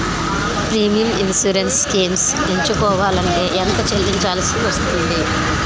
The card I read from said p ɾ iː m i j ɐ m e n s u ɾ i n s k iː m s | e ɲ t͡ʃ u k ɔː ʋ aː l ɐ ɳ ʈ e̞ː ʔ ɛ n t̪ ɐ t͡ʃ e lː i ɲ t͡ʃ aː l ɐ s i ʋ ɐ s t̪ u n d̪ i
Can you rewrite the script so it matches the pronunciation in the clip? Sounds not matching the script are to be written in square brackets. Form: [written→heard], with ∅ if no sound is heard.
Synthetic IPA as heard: p ɾ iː m i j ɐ m [e→i] n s u ɾ [i→e] n s k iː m s | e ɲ t͡ʃ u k ɔː ʋ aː l ɐ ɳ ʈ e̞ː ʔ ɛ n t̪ ɐ t͡ʃ e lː i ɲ t͡ʃ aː l ɐ s i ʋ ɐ s t̪ u n d̪ i